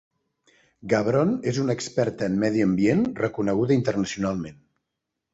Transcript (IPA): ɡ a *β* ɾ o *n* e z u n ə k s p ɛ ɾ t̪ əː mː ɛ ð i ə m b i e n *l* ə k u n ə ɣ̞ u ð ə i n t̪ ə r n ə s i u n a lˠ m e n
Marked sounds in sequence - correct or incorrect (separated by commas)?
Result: correct, correct, incorrect